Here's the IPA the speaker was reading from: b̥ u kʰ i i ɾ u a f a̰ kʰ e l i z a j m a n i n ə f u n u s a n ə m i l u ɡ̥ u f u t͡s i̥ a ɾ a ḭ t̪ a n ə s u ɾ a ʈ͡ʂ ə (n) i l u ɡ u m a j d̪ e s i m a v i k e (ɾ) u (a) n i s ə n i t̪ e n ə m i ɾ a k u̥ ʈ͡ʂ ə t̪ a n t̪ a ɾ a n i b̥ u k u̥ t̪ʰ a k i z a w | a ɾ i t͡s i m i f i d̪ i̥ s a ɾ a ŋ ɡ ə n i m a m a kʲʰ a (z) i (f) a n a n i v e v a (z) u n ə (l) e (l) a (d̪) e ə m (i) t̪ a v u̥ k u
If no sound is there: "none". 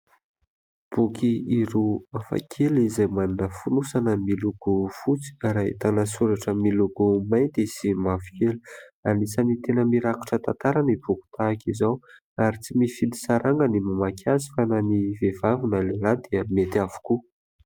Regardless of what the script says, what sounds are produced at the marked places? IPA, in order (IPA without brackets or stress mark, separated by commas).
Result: m, l, a, z, f, v, l, l, d̪, e